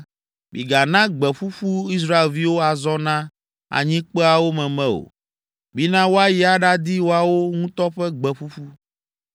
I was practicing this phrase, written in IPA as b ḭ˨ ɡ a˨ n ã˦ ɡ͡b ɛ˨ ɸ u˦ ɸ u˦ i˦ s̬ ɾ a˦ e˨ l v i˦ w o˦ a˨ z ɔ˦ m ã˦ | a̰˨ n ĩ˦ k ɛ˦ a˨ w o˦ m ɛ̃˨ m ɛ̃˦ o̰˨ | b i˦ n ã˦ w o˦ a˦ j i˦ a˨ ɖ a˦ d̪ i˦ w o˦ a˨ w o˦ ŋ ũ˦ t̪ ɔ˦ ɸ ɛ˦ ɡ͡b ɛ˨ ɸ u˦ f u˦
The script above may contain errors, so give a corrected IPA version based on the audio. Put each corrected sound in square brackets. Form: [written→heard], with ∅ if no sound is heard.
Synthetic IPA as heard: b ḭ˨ ɡ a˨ n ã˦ ɡ͡b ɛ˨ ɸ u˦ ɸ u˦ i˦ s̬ ɾ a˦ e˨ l v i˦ w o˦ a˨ z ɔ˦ [m→n] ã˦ | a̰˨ [n→ɲ] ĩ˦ [k→k͡p] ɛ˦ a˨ w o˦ m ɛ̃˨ m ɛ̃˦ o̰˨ | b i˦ n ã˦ w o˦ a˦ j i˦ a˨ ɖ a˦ d̪ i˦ w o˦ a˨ w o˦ ŋ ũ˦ t̪ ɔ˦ ɸ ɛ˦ ɡ͡b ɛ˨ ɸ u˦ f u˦

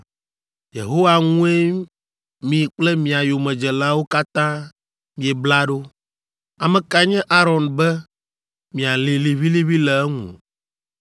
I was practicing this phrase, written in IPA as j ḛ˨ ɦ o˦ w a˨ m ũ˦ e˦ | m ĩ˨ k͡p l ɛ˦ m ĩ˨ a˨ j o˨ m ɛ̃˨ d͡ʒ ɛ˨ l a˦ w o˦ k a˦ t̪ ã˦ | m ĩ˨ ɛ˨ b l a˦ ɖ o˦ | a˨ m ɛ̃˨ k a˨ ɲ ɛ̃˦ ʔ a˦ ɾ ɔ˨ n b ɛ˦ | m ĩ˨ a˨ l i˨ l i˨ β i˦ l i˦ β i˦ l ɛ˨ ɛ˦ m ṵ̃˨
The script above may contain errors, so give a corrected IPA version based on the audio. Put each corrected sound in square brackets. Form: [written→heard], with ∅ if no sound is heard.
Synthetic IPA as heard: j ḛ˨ ɦ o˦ w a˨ [m→ŋ] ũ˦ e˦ | m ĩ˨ k͡p l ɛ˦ m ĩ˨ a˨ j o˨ m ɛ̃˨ d͡ʒ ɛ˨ l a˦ w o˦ k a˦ t̪ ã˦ | m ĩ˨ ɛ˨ b l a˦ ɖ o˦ | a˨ m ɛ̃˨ k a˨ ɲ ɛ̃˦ ʔ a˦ ɾ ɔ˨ n b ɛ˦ | m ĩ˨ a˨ l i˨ l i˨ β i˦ l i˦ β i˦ l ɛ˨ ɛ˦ [m→ŋ] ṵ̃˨

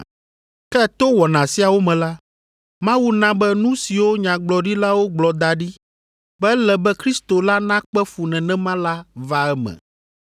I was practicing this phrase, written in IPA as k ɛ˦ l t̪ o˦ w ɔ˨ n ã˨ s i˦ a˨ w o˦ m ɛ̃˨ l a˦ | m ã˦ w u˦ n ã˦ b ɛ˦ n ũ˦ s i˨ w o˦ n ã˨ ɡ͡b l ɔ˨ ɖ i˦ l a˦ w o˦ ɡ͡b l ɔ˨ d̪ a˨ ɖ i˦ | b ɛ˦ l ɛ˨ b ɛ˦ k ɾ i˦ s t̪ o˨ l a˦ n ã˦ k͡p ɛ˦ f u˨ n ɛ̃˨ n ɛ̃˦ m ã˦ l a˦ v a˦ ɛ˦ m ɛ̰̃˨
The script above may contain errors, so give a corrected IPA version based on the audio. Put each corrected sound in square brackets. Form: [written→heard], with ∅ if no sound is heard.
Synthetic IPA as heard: k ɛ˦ [l→∅] t̪ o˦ w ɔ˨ n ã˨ s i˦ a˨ w o˦ m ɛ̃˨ l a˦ | m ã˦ w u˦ n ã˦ b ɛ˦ n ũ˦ s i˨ w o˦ [n→ɲ] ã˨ ɡ͡b l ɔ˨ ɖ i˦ l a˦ w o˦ ɡ͡b l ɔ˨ d̪ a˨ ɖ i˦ | b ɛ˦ l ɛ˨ b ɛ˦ k ɾ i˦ s t̪ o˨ l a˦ n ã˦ k͡p ɛ˦ f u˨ n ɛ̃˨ n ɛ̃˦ m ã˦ l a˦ v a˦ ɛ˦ m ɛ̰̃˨

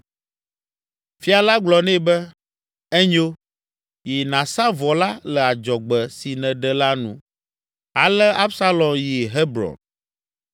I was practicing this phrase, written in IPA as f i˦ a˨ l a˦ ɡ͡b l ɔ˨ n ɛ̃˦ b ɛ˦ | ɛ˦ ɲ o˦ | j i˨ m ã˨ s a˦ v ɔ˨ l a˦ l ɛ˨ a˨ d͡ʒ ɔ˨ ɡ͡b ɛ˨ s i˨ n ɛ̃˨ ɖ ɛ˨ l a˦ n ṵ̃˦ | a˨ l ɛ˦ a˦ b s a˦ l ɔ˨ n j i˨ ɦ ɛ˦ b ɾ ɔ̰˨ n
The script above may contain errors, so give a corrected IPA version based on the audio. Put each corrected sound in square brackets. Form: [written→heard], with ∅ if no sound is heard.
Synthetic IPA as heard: f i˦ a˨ l a˦ ɡ͡b l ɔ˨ n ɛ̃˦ b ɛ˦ | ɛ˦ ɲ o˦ | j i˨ [m→n] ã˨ s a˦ v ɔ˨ l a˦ l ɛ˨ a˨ d͡ʒ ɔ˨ ɡ͡b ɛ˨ s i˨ n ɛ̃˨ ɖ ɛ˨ l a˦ n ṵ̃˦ | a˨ l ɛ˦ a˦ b s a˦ l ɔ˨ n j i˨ ɦ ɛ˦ b ɾ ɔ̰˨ n

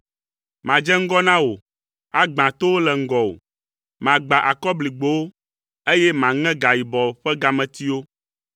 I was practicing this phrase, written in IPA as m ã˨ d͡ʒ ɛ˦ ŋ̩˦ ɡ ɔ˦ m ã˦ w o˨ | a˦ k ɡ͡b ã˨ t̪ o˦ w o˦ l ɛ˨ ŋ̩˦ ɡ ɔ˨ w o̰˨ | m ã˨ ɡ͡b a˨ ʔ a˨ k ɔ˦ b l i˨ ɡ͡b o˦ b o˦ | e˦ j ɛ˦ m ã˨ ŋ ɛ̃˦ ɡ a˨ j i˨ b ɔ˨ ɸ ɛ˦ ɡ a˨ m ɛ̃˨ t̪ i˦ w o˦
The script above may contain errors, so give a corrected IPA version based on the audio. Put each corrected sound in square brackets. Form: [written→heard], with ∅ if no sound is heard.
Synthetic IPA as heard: m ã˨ d͡ʒ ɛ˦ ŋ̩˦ ɡ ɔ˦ [m→n] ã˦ w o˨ | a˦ [k→∅] ɡ͡b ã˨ t̪ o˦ w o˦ l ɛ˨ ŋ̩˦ ɡ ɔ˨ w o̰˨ | m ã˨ ɡ͡b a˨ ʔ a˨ k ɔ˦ b l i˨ ɡ͡b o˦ [b→w] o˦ | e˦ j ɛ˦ m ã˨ ŋ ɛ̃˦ ɡ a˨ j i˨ b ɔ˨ ɸ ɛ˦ ɡ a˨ m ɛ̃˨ t̪ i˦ w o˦

